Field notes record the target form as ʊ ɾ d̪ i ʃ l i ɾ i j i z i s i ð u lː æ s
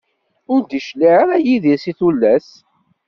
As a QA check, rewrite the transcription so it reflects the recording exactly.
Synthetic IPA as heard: ʊ ɾ d̪ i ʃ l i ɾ æ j i ð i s i θ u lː æ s